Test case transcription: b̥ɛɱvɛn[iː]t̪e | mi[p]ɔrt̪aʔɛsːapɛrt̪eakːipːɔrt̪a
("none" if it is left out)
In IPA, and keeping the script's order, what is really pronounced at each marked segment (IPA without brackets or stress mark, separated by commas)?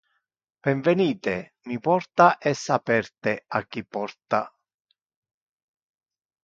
iː, p